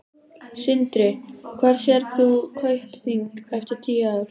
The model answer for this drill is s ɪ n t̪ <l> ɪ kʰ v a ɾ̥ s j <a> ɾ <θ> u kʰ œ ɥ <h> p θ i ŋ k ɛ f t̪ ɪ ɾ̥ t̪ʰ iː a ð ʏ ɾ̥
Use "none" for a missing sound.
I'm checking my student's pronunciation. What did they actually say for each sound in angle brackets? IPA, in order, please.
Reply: ɾ, ɛ, θ, h

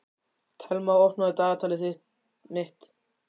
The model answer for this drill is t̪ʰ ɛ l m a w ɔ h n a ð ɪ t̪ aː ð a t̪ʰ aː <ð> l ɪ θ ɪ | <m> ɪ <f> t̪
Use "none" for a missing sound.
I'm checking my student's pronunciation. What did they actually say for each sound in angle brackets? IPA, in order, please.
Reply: none, m, h

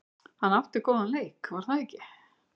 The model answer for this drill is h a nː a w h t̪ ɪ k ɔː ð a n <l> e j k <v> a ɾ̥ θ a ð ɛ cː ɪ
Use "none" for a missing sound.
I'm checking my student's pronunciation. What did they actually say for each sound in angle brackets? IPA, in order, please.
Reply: l, v

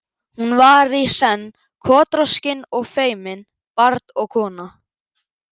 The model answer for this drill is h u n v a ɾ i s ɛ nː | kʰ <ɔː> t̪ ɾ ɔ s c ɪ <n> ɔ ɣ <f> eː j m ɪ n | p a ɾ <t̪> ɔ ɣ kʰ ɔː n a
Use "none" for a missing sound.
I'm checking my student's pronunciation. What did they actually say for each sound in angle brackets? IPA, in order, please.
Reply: ɔː, n, f, t̪

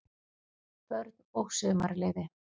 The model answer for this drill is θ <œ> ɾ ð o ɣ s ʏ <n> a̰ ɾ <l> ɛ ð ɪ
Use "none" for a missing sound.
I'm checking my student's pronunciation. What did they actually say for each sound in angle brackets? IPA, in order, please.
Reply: œ, m, l

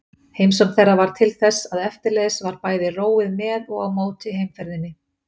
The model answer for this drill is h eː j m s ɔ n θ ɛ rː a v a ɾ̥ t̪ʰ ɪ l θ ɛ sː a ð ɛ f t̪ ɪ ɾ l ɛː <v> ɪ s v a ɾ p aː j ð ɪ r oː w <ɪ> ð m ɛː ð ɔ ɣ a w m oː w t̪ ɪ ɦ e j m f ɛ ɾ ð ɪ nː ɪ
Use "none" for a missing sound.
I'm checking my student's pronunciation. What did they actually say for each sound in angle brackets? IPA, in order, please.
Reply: ð, ɪ

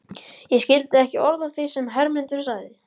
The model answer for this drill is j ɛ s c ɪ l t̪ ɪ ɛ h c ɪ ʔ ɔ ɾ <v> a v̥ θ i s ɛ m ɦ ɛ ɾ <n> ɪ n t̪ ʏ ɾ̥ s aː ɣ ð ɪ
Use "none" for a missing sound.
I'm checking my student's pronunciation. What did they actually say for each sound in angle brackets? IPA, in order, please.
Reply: ð, m

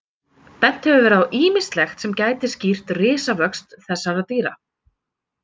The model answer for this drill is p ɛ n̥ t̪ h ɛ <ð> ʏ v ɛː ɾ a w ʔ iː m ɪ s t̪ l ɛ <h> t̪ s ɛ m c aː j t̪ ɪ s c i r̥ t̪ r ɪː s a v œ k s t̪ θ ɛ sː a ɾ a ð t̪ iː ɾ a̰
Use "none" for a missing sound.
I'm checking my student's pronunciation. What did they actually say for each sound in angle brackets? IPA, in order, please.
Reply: v, x

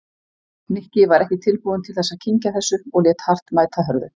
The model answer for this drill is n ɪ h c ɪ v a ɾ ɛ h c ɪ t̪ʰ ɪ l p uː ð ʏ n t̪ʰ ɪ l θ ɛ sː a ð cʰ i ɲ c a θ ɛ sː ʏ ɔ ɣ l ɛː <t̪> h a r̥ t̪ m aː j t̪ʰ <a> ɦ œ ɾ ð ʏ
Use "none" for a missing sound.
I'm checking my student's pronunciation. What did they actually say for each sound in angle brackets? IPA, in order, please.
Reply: t̪, a

